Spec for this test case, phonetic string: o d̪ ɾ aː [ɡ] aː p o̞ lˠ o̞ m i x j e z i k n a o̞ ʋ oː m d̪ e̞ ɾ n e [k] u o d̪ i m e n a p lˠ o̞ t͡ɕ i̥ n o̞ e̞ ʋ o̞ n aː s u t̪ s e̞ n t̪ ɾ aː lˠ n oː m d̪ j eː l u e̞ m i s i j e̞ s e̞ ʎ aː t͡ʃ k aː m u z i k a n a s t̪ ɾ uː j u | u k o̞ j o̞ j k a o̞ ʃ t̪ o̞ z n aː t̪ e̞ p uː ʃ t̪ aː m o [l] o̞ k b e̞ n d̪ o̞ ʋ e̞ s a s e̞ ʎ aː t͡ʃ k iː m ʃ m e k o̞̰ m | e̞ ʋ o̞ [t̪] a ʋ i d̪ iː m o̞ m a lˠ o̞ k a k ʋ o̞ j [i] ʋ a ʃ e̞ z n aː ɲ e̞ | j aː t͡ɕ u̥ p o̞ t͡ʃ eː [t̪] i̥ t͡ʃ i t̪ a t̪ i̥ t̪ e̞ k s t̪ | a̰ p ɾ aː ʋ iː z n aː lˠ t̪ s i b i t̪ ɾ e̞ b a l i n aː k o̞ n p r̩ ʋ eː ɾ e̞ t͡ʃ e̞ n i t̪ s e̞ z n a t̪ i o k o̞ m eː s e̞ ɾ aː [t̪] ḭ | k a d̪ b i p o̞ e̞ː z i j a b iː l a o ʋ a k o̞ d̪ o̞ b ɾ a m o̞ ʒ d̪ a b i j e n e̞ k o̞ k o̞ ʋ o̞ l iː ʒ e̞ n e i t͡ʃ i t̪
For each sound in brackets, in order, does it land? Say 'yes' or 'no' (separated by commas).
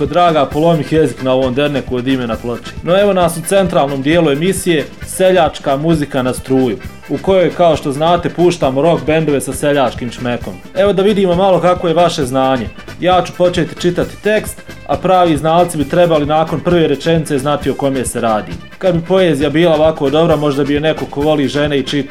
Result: yes, yes, no, no, no, yes, no